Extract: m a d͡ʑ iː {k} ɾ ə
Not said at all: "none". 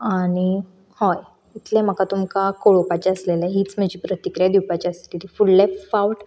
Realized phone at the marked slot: p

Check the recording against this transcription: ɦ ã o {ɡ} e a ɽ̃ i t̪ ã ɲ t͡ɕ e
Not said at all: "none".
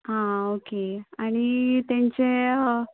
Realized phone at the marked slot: k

